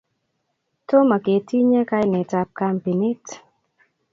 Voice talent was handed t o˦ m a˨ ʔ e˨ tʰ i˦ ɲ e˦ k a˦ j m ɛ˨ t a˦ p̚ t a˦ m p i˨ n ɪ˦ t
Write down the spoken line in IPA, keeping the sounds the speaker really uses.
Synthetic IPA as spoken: t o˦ m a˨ k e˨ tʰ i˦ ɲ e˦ k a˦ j n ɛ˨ t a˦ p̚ k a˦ m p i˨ n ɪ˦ t